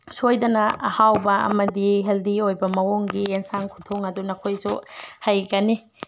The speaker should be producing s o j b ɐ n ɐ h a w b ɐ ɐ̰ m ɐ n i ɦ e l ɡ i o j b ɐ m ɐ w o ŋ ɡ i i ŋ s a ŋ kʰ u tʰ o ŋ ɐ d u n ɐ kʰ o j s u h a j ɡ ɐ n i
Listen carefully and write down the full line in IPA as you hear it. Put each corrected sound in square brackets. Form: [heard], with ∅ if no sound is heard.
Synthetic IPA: s o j [d] ɐ n ɐ h a w b ɐ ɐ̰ m ɐ [d] i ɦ e l [d] i o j b ɐ m ɐ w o ŋ ɡ i [e] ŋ s a ŋ kʰ u tʰ o ŋ ɐ d u n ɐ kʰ o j s u h a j ɡ ɐ n i